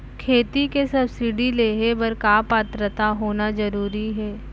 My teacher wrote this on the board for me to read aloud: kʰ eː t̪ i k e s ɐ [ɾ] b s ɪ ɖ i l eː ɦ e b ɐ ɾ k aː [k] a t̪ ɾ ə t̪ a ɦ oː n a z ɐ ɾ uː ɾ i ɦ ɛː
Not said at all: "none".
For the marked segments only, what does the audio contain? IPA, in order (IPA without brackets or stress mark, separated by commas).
none, p